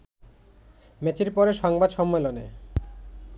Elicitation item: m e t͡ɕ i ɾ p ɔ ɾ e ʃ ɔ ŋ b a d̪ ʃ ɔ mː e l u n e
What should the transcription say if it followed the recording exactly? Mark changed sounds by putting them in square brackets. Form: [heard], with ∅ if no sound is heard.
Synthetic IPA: m e t͡ɕ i ɾ p ɔ ɾ e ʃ ɔ ŋ b a d̪ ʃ ɔ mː e l [o] n e

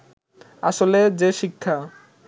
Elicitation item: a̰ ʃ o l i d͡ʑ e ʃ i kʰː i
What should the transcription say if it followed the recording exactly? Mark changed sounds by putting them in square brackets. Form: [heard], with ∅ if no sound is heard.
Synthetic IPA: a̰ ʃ o l [e] d͡ʑ e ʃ i kʰː [a]

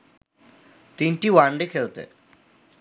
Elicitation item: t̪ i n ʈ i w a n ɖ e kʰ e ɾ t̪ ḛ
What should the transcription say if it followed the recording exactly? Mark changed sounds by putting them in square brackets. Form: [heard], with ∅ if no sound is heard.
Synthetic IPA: t̪ i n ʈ i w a [ɳ] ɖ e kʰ e [l] t̪ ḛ

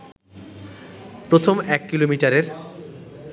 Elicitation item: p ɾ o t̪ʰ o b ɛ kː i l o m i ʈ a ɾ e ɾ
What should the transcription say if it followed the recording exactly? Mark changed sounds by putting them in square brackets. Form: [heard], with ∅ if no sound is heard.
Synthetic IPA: p ɾ o t̪ʰ o [m] ɛ kː i l o m i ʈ a ɾ e ɾ

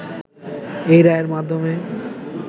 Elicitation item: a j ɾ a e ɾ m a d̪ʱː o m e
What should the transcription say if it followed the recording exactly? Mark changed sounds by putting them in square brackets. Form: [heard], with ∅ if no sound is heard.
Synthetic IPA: [e] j ɾ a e ɾ m a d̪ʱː o m e

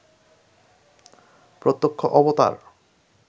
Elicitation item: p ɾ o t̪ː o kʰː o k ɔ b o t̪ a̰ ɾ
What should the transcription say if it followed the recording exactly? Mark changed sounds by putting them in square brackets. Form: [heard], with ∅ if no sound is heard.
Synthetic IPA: p ɾ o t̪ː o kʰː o [ʔ] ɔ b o t̪ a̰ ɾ

